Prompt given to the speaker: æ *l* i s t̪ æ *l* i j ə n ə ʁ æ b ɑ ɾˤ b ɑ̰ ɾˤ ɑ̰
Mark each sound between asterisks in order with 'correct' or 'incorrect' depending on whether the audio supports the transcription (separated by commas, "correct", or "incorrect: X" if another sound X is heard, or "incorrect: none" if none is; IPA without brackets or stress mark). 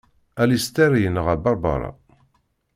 correct, incorrect: ɾ